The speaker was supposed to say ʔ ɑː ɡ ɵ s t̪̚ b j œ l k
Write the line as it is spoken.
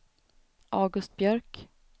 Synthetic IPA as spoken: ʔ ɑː ɡ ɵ s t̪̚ b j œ ɾ k